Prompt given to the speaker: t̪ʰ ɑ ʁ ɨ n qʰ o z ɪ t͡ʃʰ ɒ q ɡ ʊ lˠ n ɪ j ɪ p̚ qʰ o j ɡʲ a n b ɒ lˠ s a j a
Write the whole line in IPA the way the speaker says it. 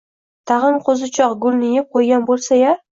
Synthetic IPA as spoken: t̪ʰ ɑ ʁ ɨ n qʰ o z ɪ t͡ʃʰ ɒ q ɡ ʊ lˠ n ɪ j ɪ p̚ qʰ o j ɡʲ a n b o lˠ s a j a

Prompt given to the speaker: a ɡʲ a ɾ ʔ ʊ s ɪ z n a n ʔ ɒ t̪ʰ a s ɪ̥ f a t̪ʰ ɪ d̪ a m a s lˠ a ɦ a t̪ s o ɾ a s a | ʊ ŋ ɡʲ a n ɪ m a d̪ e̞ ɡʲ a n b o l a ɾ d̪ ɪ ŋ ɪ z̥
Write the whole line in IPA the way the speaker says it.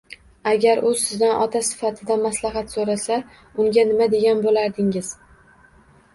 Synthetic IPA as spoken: a ɡʲ a ɾ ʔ ʊ s ɪ z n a n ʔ ɒ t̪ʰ a s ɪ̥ f a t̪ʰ ɪ d̪ a m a s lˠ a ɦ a t̪ s o ɾ a s a | ʊ ŋ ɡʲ a n ɪ m a d̪ e̞ ɡʲ a n b o l a ɾ d̪ ɪ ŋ ɪ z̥

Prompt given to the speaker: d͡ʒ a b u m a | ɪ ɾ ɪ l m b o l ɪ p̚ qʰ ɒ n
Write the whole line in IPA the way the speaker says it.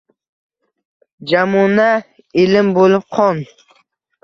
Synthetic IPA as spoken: d͡ʒ a m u n a | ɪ l ɪ m b o l ɪ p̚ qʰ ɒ n

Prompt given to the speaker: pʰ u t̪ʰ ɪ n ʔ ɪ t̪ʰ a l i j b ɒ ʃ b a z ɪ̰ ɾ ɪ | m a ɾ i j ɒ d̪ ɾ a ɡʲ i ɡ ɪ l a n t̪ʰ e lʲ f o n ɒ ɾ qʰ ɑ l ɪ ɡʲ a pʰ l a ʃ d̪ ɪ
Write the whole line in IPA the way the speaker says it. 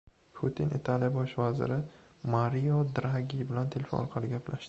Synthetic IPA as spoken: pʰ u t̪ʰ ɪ n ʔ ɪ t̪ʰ a l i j b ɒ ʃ v a z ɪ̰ ɾ ɪ | m a ɾ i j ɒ d̪ ɾ a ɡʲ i b ɪ l a n t̪ʰ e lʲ f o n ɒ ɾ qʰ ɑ l ɪ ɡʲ a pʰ l a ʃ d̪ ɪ

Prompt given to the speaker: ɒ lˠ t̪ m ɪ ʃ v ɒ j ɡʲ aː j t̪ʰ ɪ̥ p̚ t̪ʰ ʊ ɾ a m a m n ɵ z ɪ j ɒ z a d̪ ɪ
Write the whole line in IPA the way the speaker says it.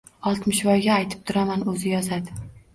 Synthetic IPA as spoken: ɒ lˠ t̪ m ɪ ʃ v ɒ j ɡʲ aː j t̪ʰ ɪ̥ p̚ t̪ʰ ʊ ɾ a m a n ɵ z ɪ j ɒ z a d̪ ɪ

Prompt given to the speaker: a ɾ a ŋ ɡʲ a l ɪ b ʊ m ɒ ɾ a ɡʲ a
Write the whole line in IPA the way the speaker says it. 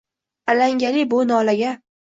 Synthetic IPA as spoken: a l a ŋ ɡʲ a l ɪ b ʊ n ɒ l a ɡʲ a

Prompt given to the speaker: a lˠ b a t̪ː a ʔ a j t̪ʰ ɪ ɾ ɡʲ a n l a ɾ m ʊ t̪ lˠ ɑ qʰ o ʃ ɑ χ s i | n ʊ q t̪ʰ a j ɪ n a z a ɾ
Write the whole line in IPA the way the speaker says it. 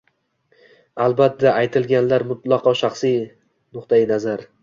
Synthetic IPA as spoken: a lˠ b a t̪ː a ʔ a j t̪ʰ ɪ l ɡʲ a n l a ɾ m ʊ t̪ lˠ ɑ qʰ ɒ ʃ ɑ χ s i | n ʊ q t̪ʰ a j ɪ n a z a ɾ

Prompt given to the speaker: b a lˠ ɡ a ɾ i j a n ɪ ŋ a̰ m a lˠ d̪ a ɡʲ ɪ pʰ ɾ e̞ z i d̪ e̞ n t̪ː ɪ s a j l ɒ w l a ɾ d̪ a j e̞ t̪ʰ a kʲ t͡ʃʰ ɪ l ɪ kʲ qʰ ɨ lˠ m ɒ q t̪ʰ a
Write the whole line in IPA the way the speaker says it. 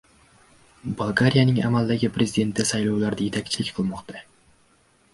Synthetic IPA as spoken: b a lˠ ɡ a ɾ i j a n ɪ ŋ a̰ m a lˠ d̪ a ɡʲ ɪ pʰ ɾ e̞ z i d̪ e̞ n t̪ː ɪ s a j l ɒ w l a ɾ d̪ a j e̞ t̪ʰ a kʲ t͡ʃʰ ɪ l ɪ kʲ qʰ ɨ lˠ m ɒ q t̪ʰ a

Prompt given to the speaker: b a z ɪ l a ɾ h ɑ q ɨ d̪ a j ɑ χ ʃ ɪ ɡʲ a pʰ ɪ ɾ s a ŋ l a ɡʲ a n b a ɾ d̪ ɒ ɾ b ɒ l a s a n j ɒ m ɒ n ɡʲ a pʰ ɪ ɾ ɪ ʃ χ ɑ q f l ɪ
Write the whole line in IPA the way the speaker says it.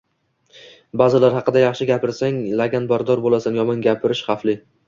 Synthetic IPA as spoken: b a z ɪ l a ɾ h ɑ q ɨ d̪ a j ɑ χ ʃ ɪ ɡʲ a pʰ ɪ ɾ s a ŋ l a ɡʲ a n b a ɾ d̪ ɒ ɾ b o l a s a n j ɒ m ɒ n ɡʲ a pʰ ɪ ɾ ɪ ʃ χ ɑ f l ɪ

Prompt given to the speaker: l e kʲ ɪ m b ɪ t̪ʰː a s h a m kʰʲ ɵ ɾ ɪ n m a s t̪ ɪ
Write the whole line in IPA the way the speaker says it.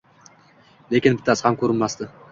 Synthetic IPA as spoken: l e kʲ ɪ n b ɪ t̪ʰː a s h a m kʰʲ ɵ ɾ ɪ n m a s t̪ ɪ

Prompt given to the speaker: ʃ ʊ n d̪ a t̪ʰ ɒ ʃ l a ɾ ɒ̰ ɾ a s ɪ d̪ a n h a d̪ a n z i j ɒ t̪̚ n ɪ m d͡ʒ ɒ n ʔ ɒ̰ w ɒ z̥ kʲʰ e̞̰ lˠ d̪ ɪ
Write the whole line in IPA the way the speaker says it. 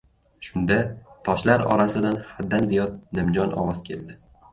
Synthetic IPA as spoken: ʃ ʊ n d̪ a t̪ʰ ɒ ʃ l a ɾ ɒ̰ ɾ a s ɪ d̪ a n h a d̪ː a n z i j ɒ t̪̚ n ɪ m d͡ʒ ɒ n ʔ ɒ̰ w ɒ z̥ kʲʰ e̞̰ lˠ d̪ ɪ

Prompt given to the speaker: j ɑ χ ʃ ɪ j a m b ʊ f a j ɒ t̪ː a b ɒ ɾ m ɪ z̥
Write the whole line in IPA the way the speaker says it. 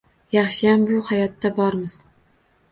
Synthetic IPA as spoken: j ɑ χ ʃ ɪ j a m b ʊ h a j ɒ t̪ː a b ɒ ɾ m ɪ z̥

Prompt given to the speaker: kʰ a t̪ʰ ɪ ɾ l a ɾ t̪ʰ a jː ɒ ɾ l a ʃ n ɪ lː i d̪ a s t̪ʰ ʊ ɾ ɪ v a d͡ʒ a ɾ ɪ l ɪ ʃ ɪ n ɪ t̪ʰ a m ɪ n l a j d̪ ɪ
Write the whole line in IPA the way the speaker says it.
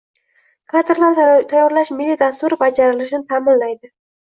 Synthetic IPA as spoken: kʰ a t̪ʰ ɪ ɾ l a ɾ t̪ʰ a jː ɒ ɾ l a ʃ m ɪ lː i d̪ a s t̪ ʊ ɾ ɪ b a d͡ʒ a ɾ ɪ l ɪ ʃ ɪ n ɪ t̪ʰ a m ɪ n l a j d̪ ɪ

